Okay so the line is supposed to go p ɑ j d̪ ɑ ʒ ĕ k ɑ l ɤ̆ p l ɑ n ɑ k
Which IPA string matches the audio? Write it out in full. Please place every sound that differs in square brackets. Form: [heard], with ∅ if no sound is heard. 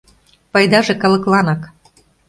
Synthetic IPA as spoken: p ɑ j d̪ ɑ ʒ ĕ k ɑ l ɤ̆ [k] l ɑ n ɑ k